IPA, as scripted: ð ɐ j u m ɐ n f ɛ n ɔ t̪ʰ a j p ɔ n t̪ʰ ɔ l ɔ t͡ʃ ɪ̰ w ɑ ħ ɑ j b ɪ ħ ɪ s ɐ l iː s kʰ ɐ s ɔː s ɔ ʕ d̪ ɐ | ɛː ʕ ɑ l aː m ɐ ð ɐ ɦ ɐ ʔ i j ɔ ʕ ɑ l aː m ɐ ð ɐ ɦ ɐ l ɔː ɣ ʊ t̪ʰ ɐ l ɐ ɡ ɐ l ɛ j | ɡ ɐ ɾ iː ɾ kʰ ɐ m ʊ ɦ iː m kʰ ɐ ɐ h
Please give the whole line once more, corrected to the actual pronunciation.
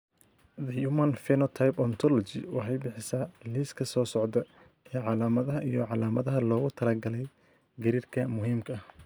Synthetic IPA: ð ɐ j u m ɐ n f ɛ n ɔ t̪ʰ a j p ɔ n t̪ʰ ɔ l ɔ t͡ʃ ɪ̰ w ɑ ħ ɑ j b ɪ ħ ɪ s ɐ l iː s kʰ ɐ s ɔː s ɔ ʕ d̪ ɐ | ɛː ʕ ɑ l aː m ɐ ð ɐ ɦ ɐ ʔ i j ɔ ʕ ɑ l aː m ɐ ð ɐ ɦ ɐ l ɔː ɣ ʊ t̪ʰ ɐ l ɐ ɡ ɐ l ɛ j | ɡ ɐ ɾ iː r kʰ ɐ m ʊ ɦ iː m kʰ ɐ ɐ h